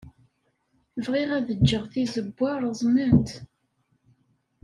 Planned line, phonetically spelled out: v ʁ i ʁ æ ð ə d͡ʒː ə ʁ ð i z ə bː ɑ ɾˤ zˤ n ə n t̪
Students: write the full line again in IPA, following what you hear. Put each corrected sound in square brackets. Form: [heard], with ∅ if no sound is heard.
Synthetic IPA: v ʁ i ʁ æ ð ə d͡ʒː ə ʁ [θ] i z ə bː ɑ ɾˤ zˤ n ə n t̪